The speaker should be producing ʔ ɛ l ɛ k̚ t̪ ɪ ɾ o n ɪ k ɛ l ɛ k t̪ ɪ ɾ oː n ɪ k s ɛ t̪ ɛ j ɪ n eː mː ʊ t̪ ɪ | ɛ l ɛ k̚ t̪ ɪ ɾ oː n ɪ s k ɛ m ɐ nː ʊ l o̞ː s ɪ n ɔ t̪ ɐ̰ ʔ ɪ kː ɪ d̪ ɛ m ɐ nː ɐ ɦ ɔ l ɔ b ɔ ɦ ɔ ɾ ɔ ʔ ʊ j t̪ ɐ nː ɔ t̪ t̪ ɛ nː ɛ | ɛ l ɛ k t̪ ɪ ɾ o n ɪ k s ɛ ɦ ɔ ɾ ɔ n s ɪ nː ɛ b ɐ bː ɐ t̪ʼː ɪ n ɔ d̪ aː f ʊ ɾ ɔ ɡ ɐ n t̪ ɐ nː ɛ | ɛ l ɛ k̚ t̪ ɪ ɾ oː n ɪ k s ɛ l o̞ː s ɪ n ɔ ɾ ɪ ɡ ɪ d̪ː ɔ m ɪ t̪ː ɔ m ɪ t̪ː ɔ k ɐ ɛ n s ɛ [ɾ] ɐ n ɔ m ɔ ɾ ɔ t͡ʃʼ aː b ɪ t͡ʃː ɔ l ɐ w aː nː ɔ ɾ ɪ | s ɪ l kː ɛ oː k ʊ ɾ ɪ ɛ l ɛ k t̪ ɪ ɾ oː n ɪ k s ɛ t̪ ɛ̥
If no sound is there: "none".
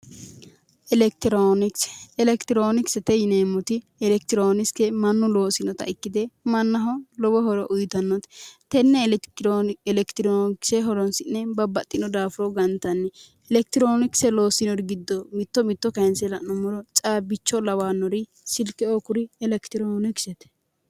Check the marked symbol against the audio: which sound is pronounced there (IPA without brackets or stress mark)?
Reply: l